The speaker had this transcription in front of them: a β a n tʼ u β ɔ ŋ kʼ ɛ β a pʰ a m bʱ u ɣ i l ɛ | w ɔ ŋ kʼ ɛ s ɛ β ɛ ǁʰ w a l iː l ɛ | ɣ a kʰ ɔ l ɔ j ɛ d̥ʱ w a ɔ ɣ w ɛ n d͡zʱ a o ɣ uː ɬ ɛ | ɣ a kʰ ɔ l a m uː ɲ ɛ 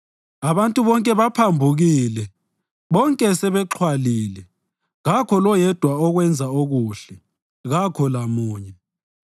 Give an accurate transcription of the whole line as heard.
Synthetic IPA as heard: a β a n tʼ u β ɔ ŋ kʼ ɛ β a pʰ a m bʱ u ɣ i l ɛ | β ɔ ŋ kʼ ɛ s ɛ β ɛ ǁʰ w a l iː l ɛ | ɣ a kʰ ɔ l ɔ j ɛ d̥ʱ w a ɔ ɣ w ɛ n d͡zʱ a o ɣ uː ɬ ɛ | ɣ a kʰ ɔ l a m uː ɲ ɛ